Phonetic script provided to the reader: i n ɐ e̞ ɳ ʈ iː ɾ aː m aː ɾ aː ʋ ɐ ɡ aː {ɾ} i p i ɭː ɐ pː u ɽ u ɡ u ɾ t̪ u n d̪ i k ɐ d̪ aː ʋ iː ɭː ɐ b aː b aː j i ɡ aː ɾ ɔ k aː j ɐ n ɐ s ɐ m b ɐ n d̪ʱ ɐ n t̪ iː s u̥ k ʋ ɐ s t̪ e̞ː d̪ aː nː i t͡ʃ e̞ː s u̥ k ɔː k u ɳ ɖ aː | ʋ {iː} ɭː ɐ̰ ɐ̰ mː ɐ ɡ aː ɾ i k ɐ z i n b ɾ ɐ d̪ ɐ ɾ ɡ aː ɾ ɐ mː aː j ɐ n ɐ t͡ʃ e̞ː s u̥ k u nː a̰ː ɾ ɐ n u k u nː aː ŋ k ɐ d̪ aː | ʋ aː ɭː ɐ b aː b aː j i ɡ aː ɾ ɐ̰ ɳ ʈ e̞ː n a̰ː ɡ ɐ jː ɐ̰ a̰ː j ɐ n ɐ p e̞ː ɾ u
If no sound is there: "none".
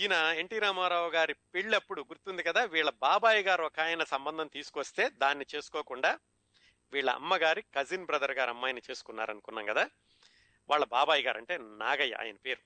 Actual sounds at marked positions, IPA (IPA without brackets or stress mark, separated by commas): ɾ, iː